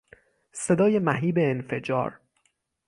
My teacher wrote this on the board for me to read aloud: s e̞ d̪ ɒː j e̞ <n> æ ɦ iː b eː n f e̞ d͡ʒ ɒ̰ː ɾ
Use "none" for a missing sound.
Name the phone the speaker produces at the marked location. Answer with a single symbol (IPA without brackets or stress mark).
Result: m